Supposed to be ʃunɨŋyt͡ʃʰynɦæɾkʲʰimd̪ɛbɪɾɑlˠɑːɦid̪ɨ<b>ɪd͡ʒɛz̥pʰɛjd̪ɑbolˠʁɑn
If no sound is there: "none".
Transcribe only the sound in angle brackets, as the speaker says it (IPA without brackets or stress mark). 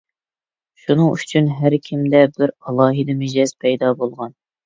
m